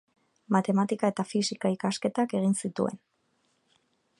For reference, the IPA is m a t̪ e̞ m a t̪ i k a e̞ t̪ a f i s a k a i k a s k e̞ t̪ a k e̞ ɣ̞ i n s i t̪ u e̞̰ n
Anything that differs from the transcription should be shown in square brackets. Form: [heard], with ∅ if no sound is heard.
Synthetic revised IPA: m a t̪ e̞ m a t̪ i k a e̞ t̪ a f i s [i] k a i k a s k e̞ t̪ a k e̞ ɣ̞ i n s i t̪ u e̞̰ n